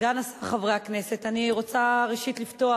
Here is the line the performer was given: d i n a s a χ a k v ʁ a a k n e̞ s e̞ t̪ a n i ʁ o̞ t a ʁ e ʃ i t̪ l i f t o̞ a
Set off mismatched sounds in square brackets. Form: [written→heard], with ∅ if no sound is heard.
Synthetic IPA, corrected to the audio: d [i→a] n a s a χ a [k→∅] v ʁ [a→e] a k n e̞ s e̞ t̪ a n i ʁ o̞ [t→t͡s] a ʁ e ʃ i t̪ l i f t o̞ a